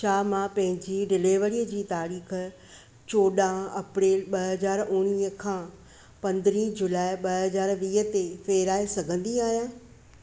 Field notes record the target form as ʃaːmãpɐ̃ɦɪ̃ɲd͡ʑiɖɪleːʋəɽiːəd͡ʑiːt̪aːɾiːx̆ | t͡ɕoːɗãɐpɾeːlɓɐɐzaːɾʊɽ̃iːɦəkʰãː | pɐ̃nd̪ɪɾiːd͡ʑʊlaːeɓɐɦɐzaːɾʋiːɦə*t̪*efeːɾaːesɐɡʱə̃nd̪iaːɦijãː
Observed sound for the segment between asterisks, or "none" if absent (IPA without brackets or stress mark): t̪